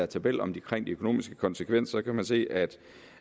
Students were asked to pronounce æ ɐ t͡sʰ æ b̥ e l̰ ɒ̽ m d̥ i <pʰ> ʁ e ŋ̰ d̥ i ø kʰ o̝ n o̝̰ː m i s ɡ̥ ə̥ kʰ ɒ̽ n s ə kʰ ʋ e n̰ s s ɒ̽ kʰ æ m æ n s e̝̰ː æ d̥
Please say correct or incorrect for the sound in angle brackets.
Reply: incorrect